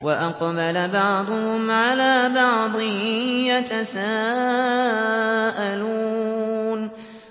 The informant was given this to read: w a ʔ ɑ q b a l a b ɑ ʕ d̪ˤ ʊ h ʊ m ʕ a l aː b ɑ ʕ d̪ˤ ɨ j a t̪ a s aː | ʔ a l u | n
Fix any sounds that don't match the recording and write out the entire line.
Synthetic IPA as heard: w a ʔ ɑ q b a l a b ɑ ʕ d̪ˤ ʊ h ʊ m ʕ a l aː b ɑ ʕ d̪ˤ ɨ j a t̪ a s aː | ʔ a l u | n

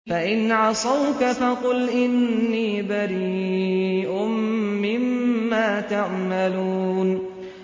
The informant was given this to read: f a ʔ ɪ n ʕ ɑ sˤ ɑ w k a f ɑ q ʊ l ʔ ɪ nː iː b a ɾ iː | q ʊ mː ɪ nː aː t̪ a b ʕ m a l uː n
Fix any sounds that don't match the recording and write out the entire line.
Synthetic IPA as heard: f a ʔ ɪ n ʕ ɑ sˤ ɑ w k a f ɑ q ʊ l ʔ ɪ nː iː b a ɾ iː | ʔ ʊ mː ɪ mː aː t̪ a ʕ m a l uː n

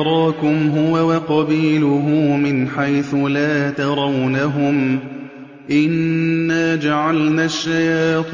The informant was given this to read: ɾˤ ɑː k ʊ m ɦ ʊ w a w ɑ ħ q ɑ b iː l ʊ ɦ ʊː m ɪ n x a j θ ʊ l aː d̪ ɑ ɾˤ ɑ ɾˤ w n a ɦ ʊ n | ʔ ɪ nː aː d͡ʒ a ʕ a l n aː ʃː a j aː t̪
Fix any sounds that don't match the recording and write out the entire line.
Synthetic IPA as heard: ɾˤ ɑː k ʊ m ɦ ʊ w a w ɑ q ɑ b iː l ʊ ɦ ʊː m ɪ n ħ a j θ ʊ l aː t̪ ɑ ɾˤ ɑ w n a ɦ ʊ m | ʔ ɪ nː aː d͡ʒ a ʕ a l n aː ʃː a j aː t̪

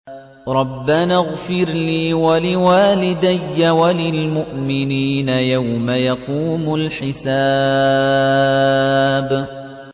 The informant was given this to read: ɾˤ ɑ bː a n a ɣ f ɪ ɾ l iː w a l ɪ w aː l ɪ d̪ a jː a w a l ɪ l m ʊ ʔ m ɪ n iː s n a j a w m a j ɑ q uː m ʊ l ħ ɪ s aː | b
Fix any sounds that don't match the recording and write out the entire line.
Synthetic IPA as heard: ɾˤ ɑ bː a n a ɣ f ɪ ɾ l iː w a l ɪ w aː l ɪ d̪ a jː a w a l ɪ l m ʊ ʔ m ɪ n iː n a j a w m a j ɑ q uː m ʊ l ħ ɪ s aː | b

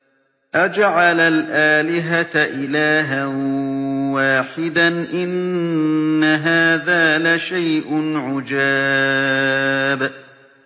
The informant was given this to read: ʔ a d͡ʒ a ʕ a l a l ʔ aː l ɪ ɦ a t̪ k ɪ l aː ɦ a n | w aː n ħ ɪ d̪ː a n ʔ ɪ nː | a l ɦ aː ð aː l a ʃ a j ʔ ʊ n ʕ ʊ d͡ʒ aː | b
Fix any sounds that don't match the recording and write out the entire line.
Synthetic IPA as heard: ʔ a d͡ʒ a ʕ a l a l ʔ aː l ɪ ɦ a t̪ ʔ ɪ l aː ɦ a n | w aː ħ ɪ d̪ a n ʔ ɪ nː | a ɦ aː ð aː l a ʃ a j ʔ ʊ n ʕ ʊ d͡ʒ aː | b

